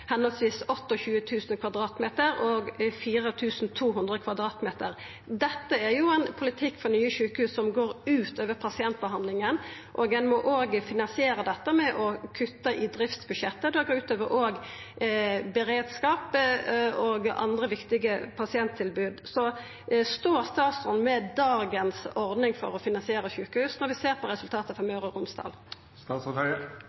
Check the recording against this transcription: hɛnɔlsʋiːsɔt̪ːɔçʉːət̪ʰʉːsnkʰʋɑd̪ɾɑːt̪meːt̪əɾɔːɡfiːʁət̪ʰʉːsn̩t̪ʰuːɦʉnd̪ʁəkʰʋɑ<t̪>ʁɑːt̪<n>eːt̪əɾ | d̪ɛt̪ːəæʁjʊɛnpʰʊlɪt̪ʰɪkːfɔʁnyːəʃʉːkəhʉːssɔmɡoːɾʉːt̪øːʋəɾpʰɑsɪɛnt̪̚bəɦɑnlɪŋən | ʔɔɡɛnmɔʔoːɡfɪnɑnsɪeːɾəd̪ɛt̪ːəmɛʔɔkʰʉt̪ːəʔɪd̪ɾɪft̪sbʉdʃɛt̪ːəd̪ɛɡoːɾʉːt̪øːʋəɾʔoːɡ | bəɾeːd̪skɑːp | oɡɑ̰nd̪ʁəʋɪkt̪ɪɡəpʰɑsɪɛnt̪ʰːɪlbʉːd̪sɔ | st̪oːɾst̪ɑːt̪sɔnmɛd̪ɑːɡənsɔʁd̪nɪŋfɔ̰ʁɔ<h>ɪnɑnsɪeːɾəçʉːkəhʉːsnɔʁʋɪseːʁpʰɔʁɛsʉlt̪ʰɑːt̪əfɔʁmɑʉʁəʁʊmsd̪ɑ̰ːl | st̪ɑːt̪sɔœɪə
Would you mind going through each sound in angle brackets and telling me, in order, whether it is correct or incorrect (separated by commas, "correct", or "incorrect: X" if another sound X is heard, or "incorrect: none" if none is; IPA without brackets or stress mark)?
incorrect: d̪, incorrect: m, incorrect: f